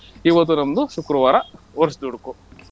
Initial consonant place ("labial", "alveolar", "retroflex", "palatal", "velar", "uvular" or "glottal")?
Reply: labial